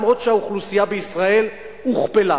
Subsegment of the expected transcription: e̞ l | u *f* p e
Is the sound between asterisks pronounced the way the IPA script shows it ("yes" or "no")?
no